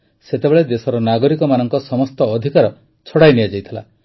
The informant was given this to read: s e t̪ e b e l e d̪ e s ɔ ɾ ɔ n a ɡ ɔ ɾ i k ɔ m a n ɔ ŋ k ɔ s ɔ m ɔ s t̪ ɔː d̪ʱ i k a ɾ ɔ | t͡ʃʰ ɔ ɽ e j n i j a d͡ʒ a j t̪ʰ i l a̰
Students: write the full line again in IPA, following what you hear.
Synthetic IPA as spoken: s e t̪ e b e ɭ e d̪ e s ɔ ɾ ɔ n a ɡ ɔ ɾ i k ɔ m a n ɔ ŋ k ɔ s ɔ m ɔ s t̪ ɔː d̪ʱ i k a ɾ ɔ | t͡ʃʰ ɔ ɽ a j n i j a d͡ʒ a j t̪ʰ i l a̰